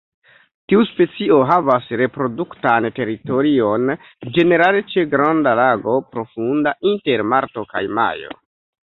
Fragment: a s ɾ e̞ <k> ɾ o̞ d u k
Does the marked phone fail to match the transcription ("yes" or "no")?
yes